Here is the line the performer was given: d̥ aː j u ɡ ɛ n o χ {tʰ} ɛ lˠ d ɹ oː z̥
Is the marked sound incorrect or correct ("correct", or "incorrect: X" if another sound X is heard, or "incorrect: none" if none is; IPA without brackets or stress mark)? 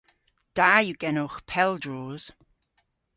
incorrect: pʰ